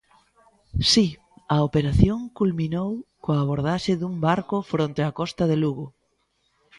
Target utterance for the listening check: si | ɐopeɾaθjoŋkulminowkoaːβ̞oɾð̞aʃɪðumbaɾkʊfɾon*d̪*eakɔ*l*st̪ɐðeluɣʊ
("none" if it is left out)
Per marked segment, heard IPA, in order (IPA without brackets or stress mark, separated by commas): t̪, none